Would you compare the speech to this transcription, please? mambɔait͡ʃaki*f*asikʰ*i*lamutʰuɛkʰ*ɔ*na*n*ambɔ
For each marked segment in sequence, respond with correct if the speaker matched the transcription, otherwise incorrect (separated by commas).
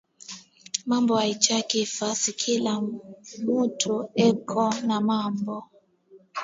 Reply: correct, correct, correct, incorrect